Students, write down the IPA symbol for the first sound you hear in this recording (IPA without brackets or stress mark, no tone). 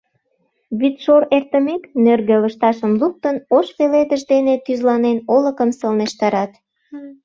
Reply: β